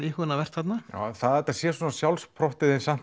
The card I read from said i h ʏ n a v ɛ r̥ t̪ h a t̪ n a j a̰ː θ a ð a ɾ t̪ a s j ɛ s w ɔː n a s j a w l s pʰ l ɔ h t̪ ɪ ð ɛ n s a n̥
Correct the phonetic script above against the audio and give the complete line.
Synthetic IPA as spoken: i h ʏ n a v ɛ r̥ t̪ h a t̪ n a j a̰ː θ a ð ɛ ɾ t̪ a s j ɛ s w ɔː n a s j a w l s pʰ ɾ ɔ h t̪ ɪ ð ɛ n s a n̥